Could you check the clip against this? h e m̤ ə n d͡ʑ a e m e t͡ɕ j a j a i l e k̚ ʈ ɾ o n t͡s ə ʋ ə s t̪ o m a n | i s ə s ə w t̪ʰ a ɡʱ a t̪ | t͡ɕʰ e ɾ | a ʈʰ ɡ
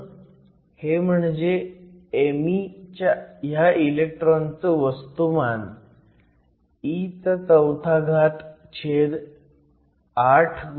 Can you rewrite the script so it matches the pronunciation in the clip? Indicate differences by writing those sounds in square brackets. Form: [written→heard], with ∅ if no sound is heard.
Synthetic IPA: h e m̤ ə [n→ɳ] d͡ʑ [a→e] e m [e→i] t͡ɕ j a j a i l e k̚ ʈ ɾ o n t͡s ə ʋ ə s t̪ [o→u] m a n | i [s→t͡s] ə [s→t͡s] ə w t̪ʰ a ɡʱ a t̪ | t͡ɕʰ e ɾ | a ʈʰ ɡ